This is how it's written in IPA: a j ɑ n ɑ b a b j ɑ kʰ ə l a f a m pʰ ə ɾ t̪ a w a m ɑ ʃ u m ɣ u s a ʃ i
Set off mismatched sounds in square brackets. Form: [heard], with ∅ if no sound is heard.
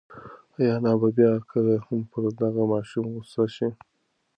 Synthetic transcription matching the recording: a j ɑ n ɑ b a b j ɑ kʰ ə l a [h] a m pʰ ə ɾ [d̪] a [ɣ] a m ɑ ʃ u m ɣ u s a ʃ i